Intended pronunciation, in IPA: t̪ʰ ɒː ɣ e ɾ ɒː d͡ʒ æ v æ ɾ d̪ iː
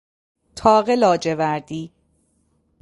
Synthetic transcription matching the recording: t̪ʰ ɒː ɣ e l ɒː d͡ʒ e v æ ɾ d̪ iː